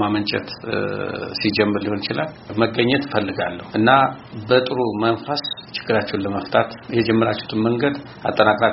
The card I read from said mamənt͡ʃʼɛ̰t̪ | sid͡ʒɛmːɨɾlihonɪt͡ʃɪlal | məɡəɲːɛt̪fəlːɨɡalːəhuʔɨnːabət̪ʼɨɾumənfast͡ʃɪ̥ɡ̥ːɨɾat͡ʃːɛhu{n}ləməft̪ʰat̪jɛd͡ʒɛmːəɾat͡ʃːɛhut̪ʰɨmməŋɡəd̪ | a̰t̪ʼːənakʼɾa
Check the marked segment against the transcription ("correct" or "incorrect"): correct